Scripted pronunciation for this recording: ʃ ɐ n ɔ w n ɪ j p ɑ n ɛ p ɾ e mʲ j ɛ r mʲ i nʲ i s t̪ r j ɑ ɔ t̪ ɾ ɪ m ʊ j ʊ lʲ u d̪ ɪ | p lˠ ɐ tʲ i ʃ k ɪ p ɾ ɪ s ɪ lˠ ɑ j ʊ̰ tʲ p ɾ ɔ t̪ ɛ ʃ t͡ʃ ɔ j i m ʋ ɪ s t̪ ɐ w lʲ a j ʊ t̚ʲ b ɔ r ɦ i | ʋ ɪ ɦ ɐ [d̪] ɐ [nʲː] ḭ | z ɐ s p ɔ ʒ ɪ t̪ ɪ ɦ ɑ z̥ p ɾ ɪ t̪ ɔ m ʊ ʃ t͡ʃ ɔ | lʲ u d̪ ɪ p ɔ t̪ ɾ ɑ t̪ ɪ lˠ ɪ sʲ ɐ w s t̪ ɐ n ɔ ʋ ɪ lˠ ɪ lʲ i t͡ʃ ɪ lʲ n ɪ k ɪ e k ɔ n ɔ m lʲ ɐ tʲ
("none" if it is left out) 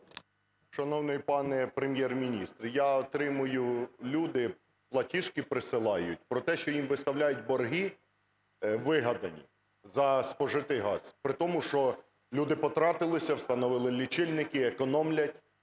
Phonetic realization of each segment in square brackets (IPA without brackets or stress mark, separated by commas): d̪, nʲ